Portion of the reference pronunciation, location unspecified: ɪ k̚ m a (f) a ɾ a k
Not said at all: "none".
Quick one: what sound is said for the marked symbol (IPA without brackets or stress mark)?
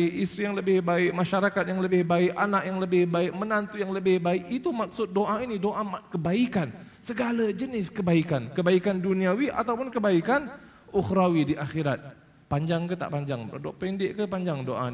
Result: ʃ